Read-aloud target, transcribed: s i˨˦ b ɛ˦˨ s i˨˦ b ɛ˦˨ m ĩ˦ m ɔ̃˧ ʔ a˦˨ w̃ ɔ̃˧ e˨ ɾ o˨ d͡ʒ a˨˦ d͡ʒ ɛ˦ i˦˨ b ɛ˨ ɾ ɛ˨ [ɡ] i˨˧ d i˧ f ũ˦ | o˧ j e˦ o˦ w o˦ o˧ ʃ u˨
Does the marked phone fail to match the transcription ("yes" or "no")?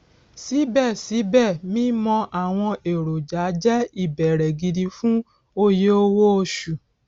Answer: no